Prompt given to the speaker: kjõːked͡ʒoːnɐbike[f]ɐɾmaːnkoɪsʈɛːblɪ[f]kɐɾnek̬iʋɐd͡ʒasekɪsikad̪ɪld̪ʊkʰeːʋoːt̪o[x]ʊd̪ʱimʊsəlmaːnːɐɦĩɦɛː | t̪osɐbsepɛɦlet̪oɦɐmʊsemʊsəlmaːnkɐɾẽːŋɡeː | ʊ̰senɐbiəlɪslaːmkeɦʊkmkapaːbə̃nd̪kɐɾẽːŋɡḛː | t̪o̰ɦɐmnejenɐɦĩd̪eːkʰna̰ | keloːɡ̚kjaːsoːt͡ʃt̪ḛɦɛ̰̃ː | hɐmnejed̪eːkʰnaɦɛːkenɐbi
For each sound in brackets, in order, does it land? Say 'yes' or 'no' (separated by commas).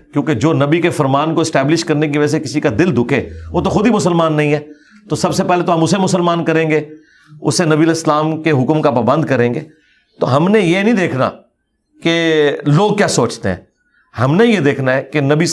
yes, no, yes